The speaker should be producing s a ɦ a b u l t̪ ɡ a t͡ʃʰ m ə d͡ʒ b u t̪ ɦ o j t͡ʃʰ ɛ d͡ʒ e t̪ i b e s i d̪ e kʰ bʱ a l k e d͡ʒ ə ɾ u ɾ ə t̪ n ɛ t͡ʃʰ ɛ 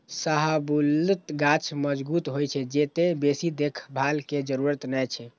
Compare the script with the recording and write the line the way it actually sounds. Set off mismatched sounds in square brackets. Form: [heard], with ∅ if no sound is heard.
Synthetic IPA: s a ɦ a b u l t̪ ɡ a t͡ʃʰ m ə d͡ʒ b u t̪ ɦ o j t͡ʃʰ ɛ d͡ʒ e t̪ [e] b e s i d̪ e kʰ bʱ a l k e d͡ʒ ə ɾ u ɾ ə t̪ n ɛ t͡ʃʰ ɛ